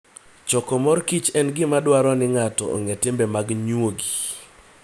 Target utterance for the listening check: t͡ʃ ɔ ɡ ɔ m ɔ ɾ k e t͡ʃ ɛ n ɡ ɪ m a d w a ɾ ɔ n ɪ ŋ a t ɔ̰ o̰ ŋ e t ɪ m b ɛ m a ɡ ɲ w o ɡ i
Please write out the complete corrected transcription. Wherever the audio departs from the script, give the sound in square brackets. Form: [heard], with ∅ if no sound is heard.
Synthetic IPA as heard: t͡ʃ ɔ [k] ɔ m ɔ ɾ k [i] t͡ʃ ɛ n ɡ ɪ m a d w a ɾ ɔ n ɪ ŋ a t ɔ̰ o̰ ŋ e t ɪ m b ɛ m a ɡ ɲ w o ɡ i